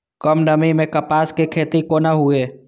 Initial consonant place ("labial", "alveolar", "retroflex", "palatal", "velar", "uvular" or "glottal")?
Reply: velar